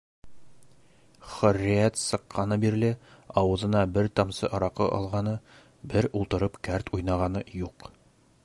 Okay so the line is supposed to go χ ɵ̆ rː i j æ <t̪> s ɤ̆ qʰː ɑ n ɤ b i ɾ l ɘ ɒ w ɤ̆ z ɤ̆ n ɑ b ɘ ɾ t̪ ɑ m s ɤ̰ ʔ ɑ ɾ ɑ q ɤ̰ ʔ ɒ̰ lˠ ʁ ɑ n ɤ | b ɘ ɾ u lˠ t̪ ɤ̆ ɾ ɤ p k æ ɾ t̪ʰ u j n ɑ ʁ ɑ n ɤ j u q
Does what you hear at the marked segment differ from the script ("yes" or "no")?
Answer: no